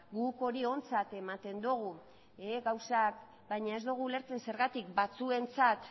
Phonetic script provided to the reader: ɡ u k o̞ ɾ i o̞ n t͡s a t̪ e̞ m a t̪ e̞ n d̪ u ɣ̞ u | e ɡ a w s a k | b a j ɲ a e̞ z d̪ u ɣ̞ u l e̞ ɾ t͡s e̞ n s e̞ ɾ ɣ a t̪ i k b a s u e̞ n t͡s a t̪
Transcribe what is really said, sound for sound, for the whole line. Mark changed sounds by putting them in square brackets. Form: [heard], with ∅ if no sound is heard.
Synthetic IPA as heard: ɡ u k o̞ ɾ i o̞ n t͡s a t̪ e̞ m a t̪ e̞ n d̪ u ɣ̞ u | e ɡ a w s a k | b a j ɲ a e̞ z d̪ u ɣ̞ u l e̞ ɾ t͡s e̞ n s e̞ ɾ ɣ a t̪ i k b a [t͡s] u e̞ n t͡s a t̪

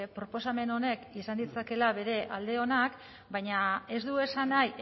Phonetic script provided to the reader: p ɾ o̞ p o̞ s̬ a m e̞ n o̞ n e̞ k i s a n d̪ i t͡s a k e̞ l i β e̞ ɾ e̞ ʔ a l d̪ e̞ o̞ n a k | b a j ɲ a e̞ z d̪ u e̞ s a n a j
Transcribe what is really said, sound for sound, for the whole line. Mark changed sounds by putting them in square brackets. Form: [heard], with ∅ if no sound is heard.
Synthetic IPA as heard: p ɾ o̞ p o̞ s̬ a m e̞ n o̞ n e̞ k i s a n d̪ i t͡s a k e̞ l [a] β e̞ ɾ e̞ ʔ a l d̪ e̞ o̞ n a k | b a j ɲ a e̞ z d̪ u e̞ s a n a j

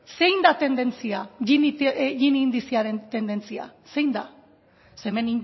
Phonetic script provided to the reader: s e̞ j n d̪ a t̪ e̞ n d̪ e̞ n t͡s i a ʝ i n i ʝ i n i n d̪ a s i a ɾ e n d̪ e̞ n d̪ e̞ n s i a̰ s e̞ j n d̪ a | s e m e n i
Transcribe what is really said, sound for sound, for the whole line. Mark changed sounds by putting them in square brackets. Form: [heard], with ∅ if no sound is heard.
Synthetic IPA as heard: s e̞ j n d̪ a t̪ e̞ n d̪ e̞ n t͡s i a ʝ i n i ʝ i n i n d̪ [i] s i a ɾ e n [t̪] e̞ n d̪ e̞ n [t͡s] i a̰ s e̞ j n d̪ a | s e m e n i

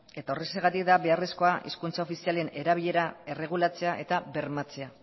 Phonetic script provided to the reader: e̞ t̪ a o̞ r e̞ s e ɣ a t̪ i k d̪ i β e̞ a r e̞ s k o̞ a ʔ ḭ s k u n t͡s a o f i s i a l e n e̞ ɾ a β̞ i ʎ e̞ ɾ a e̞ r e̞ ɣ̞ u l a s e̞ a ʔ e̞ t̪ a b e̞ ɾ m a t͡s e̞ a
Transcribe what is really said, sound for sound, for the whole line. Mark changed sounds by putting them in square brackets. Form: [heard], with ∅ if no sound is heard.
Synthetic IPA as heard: e̞ t̪ a o̞ r e̞ s e ɣ a t̪ i k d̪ [a] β e̞ a r e̞ s k o̞ a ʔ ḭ s k u n t͡s a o f i s i a l e n e̞ ɾ a β̞ i ʎ e̞ ɾ a e̞ r e̞ ɣ̞ u l a [t͡s] e̞ a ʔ e̞ t̪ a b e̞ ɾ m a t͡s e̞ a

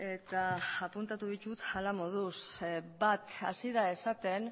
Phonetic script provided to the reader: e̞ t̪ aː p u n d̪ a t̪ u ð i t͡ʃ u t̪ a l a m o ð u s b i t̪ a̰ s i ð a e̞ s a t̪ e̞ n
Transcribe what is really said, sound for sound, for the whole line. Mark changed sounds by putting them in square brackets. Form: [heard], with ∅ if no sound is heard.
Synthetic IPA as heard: e̞ t̪ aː p u n [t̪] a t̪ u ð i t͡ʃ u t̪ a l a m o ð u s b [a] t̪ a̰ s i ð a e̞ s a t̪ e̞ n

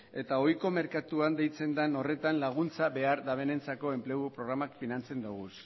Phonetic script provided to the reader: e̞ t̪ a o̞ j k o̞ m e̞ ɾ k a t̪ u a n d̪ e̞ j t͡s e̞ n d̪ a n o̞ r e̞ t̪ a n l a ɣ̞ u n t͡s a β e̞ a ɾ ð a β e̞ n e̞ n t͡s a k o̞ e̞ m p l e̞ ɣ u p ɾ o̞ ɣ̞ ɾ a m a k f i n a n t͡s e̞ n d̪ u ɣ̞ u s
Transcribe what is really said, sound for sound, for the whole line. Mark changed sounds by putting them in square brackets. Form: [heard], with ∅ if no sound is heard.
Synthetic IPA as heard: e̞ t̪ a o̞ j k o̞ m e̞ ɾ k a t̪ u a n d̪ e̞ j t͡s e̞ n d̪ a n o̞ r e̞ t̪ a n l a ɣ̞ u n t͡s a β e̞ a ɾ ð a β e̞ n e̞ n t͡s a k o̞ e̞ m p l e̞ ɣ u p ɾ o̞ ɣ̞ ɾ a m a k f i n a n t͡s e̞ n d̪ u ɣ̞ u s

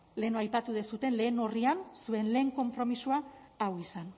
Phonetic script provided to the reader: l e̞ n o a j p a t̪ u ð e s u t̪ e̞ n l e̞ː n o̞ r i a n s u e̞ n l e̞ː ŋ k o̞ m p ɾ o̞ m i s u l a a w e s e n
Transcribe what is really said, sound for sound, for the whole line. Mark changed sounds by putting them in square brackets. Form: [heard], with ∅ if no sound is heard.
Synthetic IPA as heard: l e̞ n o a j p a t̪ u ð e s u t̪ e̞ n l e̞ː n o̞ r i a n s u e̞ n l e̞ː ŋ k o̞ m p ɾ o̞ m i s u [∅] a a w [i] s [a] n

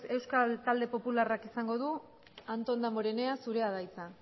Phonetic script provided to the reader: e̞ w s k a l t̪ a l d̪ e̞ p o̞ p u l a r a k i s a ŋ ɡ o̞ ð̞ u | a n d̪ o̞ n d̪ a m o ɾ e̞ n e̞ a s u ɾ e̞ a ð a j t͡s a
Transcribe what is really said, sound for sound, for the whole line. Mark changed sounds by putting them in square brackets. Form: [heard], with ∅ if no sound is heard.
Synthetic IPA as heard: e̞ w s k a l t̪ a l d̪ e̞ p o̞ p u l a r a k i s a ŋ ɡ o̞ ð̞ u | a n [t̪] o̞ n d̪ a m o ɾ e̞ n e̞ a s u ɾ e̞ a ð a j t͡s a

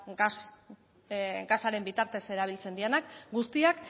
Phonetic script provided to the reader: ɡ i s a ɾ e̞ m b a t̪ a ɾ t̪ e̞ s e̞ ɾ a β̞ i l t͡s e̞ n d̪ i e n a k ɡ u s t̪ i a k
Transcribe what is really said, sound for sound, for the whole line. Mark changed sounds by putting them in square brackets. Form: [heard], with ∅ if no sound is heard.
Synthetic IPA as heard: ɡ [a] s a ɾ e̞ m b [i] t̪ a ɾ t̪ e̞ s e̞ ɾ a β̞ i l t͡s e̞ n d̪ i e n a k ɡ u s t̪ i a k

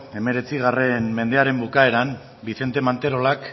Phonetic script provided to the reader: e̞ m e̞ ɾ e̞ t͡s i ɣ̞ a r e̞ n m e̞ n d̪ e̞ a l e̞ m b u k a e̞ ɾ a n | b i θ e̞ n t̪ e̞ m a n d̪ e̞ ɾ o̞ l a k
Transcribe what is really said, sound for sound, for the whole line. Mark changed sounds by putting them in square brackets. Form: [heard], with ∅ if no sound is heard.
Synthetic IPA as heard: e̞ m e̞ ɾ e̞ t͡s i ɣ̞ a r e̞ n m e̞ n d̪ e̞ a [ɾ] e̞ m b u k a e̞ ɾ a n | b i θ e̞ n t̪ e̞ m a n [t̪] e̞ ɾ o̞ l a k

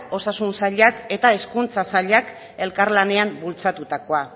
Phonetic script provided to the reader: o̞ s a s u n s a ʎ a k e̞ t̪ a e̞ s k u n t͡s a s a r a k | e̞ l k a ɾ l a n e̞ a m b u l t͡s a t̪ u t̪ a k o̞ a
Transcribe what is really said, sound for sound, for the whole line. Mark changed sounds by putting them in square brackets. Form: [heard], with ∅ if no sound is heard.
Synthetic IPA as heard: o̞ s a s u n s a ʎ a k e̞ t̪ a e̞ s k u n t͡s a s a [ʎ] a k | e̞ l k a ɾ l a n e̞ a m b u l t͡s a t̪ u t̪ a k o̞ a

